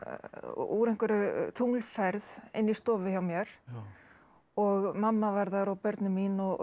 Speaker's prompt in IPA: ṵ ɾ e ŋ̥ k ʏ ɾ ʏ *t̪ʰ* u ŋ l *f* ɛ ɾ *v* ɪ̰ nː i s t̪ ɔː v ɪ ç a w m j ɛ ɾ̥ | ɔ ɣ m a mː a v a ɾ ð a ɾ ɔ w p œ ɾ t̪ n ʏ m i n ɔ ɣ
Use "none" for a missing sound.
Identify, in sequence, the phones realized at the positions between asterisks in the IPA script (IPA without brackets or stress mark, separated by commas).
t̪ʰ, f, ð